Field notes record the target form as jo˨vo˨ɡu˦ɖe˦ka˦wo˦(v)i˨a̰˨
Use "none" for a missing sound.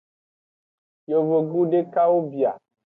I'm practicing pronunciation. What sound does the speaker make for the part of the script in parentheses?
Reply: b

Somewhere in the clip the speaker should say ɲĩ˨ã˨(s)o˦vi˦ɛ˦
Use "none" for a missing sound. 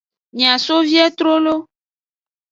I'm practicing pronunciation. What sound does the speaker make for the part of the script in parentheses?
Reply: s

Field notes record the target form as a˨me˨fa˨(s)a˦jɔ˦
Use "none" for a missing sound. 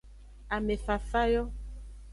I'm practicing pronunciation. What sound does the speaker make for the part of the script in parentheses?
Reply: f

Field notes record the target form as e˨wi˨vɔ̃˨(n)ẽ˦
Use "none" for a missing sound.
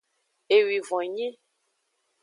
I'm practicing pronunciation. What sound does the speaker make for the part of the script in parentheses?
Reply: ɲ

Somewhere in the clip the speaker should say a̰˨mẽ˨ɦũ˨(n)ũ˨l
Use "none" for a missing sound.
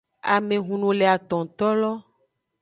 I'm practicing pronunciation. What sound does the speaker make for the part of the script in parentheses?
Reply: n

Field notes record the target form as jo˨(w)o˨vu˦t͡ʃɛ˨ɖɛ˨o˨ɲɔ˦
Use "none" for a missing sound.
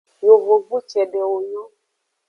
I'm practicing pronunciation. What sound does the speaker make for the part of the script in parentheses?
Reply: v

